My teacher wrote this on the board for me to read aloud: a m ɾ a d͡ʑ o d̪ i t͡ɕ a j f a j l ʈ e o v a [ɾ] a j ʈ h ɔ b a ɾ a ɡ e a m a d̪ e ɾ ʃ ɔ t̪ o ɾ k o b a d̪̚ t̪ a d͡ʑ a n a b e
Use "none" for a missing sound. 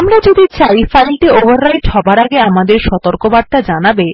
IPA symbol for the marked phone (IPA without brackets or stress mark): ɾː